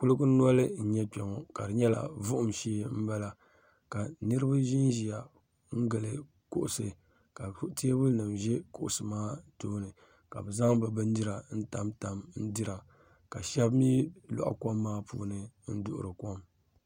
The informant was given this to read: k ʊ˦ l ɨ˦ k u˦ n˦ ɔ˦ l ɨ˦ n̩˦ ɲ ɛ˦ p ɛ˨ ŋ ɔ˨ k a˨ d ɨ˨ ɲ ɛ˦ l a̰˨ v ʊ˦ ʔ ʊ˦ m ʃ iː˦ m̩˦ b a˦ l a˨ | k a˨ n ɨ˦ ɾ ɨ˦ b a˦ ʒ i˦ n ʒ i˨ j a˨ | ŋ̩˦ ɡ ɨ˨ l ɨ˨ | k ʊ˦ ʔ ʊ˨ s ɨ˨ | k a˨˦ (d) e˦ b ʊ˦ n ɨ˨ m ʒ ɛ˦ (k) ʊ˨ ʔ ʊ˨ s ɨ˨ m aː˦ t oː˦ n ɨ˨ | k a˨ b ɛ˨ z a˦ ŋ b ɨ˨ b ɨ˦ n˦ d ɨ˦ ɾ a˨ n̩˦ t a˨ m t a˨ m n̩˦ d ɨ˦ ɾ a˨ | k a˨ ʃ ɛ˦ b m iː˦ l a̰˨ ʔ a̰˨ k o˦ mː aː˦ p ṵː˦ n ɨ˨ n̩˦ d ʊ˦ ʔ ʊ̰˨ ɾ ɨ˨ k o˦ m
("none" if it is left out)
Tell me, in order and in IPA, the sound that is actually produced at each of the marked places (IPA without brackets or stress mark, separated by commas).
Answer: t, k